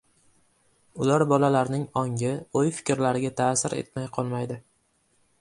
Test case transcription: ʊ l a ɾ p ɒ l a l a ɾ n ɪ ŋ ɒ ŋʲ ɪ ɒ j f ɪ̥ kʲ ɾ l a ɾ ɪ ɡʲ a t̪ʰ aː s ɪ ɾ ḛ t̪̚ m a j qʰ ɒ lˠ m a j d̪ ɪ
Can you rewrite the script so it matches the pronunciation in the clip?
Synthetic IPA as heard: ʊ l a ɾ b ɒ l a l a ɾ n ɪ ŋ ɒ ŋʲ ɪ o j f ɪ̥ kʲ ɾ l a ɾ ɪ ɡʲ a t̪ʰ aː s ɪ ɾ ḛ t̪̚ m a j qʰ ɒ lˠ m a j d̪ ɪ